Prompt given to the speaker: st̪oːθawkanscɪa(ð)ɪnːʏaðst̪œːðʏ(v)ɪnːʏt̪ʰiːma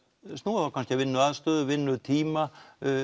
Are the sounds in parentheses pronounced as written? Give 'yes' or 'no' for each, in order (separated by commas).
no, yes